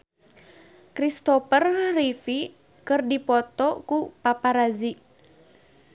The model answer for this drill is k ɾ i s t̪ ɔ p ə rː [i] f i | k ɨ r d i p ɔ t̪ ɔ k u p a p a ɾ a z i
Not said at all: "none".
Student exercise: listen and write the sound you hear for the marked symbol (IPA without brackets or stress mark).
i